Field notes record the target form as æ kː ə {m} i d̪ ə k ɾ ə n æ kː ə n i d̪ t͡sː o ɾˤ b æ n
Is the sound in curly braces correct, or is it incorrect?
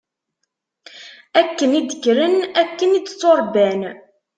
incorrect